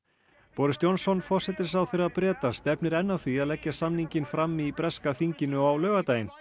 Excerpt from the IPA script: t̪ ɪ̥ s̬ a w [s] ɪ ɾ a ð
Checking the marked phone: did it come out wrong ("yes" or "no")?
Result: yes